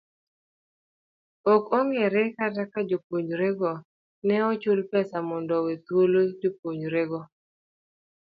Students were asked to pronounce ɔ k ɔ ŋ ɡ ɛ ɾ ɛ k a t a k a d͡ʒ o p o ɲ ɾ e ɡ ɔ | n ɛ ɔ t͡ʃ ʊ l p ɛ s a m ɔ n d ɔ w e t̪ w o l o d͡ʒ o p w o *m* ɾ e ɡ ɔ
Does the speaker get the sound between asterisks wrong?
yes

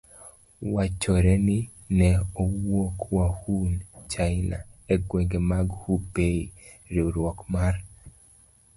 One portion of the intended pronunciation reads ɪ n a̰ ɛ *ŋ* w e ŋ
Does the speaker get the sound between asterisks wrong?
yes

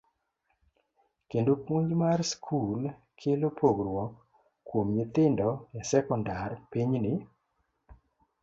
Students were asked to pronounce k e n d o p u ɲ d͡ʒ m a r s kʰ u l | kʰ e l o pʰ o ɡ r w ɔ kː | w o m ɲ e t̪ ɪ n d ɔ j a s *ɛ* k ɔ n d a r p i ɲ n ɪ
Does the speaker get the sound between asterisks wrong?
no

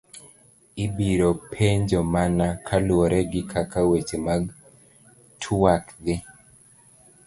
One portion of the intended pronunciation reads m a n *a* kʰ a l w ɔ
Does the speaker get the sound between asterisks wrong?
no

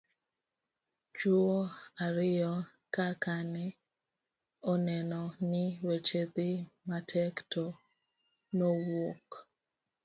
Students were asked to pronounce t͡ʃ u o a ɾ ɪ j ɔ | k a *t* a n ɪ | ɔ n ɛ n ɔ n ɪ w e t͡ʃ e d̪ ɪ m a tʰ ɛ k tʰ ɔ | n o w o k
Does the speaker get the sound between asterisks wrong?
yes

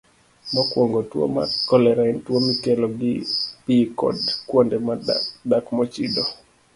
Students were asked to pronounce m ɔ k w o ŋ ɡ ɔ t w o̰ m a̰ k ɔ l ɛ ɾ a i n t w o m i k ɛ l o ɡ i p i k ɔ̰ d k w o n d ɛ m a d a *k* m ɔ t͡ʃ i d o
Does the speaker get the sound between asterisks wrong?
no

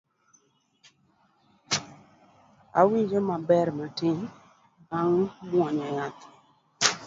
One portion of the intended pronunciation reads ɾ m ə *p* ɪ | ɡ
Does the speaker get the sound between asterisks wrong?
yes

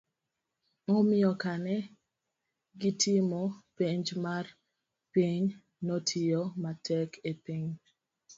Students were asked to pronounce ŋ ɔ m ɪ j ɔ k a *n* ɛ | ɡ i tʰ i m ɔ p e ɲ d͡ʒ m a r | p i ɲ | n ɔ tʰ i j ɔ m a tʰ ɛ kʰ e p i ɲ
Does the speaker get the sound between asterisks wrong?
no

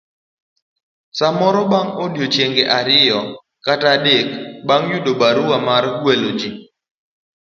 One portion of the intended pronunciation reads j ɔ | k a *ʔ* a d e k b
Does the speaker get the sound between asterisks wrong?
yes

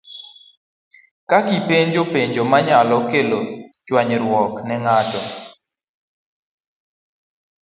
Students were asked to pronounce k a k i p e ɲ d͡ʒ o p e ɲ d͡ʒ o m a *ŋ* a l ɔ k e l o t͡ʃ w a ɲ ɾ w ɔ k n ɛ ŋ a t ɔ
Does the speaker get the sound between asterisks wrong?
yes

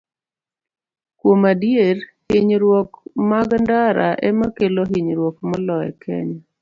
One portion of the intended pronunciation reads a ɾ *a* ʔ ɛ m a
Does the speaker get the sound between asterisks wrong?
no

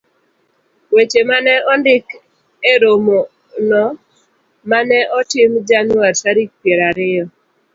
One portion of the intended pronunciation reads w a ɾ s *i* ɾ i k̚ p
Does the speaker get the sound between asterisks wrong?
yes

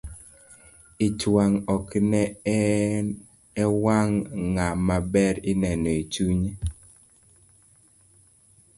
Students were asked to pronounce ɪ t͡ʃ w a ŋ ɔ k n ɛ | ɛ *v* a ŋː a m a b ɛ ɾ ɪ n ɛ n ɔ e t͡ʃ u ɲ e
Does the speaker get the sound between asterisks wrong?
yes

